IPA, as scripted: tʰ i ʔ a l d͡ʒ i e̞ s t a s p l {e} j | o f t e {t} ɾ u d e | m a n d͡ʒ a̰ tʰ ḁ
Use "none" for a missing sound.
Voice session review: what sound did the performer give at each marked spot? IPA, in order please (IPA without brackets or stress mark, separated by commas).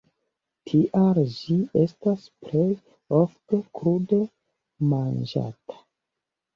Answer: e, k